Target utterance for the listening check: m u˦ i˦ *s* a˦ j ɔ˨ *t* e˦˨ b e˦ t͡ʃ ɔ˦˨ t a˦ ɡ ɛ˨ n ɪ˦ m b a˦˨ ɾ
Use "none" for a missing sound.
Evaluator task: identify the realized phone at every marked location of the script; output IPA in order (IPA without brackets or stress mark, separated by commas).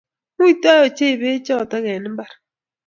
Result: t, t͡ʃ